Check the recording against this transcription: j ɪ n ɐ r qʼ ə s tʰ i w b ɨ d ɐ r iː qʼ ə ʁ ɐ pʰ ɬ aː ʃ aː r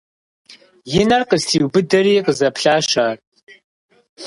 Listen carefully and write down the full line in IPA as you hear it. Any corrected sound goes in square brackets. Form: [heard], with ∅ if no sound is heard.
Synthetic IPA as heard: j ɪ n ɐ r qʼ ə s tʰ i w b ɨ d ɐ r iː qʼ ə [z] ɐ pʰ ɬ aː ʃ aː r